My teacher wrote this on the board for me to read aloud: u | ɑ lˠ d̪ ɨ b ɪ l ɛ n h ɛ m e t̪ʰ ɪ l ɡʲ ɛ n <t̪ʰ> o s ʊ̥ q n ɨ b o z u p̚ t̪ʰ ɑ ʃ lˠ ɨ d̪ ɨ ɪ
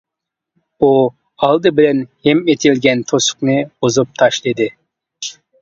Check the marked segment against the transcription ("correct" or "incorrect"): correct